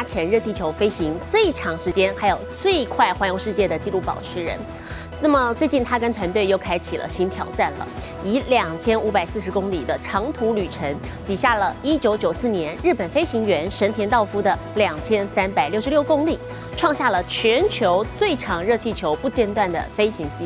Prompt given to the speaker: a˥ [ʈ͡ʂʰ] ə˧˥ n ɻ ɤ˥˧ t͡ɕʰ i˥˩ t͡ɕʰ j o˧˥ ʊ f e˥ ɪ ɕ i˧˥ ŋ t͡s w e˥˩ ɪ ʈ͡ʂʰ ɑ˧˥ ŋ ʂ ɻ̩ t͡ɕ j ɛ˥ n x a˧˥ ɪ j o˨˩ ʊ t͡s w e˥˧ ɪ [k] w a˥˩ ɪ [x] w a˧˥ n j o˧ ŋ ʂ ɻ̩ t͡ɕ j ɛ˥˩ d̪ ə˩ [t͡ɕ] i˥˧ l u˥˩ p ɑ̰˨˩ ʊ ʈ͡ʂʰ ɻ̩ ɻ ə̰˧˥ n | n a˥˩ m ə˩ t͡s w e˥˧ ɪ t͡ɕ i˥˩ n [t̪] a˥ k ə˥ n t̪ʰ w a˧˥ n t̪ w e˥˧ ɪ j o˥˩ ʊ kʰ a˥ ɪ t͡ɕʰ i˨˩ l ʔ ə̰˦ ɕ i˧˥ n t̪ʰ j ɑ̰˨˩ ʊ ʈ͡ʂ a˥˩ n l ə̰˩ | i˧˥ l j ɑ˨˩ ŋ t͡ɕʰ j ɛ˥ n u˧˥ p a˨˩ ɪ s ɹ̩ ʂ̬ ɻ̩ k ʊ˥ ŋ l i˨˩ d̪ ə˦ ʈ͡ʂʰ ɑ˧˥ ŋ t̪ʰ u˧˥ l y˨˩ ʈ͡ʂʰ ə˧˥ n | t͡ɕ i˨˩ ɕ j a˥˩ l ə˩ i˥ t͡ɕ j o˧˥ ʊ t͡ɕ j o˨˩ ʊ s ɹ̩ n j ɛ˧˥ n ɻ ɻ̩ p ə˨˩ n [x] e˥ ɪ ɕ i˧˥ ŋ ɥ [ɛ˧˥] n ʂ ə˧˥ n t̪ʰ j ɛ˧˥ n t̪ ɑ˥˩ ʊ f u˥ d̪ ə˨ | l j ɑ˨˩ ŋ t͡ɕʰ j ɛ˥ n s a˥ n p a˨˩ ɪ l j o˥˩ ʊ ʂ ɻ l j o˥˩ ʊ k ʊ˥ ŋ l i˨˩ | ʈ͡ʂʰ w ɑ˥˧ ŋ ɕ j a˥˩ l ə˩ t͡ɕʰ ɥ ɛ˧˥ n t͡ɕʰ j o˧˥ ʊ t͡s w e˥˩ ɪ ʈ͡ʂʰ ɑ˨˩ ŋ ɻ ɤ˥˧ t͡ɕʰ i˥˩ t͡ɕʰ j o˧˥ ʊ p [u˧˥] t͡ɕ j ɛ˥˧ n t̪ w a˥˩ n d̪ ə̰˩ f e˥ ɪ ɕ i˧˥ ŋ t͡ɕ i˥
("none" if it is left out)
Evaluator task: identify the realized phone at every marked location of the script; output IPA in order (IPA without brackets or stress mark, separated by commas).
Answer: ʈ͡ʂʰ, kʰ, x, t͡ɕ, t̪ʰ, f, ɛ˧˥, u˥˧